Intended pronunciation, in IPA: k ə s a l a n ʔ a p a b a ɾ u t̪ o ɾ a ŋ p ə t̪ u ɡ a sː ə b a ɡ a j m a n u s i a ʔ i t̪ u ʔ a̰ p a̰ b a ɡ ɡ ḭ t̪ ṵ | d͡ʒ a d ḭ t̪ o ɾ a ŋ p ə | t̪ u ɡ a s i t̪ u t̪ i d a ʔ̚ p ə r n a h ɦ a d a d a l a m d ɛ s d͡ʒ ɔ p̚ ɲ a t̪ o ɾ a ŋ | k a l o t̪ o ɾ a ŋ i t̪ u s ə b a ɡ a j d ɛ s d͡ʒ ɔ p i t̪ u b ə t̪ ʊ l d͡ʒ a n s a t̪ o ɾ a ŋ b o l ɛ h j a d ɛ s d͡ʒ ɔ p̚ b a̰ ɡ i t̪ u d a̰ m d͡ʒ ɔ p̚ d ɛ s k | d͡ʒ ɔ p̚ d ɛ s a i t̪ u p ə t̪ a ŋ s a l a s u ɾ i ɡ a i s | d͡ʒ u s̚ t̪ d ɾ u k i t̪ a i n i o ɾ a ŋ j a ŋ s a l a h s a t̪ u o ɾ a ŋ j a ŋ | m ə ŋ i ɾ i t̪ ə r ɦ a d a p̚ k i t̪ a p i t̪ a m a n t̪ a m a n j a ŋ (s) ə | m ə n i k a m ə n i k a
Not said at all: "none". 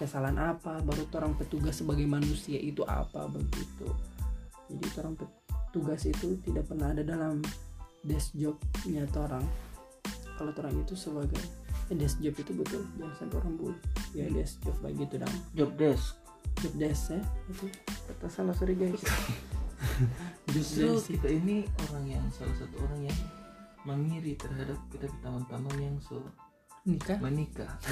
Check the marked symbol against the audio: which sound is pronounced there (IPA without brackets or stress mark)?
s